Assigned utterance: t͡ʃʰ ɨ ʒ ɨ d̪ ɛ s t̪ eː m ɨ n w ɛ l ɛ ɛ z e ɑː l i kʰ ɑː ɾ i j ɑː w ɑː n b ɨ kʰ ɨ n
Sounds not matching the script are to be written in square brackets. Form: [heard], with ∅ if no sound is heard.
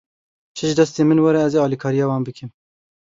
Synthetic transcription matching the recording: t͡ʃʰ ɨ ʒ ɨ d̪ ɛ s t̪ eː m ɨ n w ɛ [ɾ] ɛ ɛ z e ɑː l i kʰ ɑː ɾ i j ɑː w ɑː n b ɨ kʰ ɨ [m]